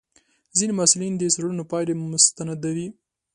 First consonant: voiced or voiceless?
voiced